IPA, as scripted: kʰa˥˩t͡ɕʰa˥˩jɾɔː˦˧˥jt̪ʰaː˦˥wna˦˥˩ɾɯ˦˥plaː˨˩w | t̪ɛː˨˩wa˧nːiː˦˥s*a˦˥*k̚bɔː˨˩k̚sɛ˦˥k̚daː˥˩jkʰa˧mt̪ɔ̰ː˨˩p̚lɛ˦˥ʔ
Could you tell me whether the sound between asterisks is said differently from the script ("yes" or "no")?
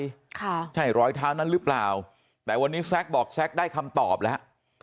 yes